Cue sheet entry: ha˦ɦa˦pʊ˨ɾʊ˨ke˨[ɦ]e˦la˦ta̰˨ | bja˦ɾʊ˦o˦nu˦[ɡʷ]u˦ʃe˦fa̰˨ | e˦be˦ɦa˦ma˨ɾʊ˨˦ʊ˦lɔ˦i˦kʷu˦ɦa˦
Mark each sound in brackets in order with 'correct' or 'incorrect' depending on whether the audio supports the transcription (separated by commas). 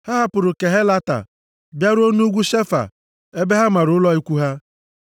correct, correct